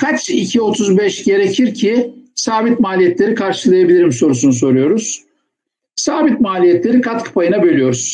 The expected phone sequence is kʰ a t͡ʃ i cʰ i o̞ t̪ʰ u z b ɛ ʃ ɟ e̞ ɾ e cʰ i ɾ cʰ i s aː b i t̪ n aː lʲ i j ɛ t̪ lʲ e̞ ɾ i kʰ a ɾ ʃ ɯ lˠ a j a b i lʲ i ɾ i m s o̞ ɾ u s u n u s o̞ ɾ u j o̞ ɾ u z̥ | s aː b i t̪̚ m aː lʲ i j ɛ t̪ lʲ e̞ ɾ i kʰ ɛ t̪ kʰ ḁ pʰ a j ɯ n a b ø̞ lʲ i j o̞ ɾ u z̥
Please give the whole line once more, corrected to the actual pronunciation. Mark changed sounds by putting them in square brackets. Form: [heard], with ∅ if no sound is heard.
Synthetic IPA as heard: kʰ a t͡ʃ i cʰ i o̞ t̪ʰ u z b ɛ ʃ ɟ e̞ ɾ e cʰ i ɾ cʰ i s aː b i t̪ [m] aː lʲ i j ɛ t̪ lʲ e̞ ɾ i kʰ a ɾ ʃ ɯ lˠ a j a b i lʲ i ɾ i m s o̞ ɾ u s u n u s o̞ ɾ u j o̞ ɾ u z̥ | s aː b i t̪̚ m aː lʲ i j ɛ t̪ lʲ e̞ ɾ i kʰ [a] t̪ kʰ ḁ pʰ a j ɯ n a b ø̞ lʲ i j o̞ ɾ u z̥